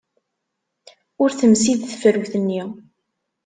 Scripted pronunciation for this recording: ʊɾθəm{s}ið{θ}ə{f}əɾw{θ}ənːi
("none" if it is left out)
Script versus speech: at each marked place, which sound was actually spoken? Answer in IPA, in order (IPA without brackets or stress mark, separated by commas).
s, θ, f, θ